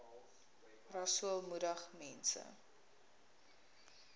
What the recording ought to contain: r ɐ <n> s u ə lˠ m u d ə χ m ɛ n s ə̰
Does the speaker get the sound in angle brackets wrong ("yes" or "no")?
yes